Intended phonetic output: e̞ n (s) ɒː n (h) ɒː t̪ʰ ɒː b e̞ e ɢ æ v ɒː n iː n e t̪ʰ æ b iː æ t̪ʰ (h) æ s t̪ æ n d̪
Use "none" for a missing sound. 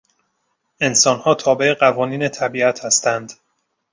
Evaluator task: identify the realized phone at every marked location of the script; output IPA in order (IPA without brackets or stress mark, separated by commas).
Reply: s, h, h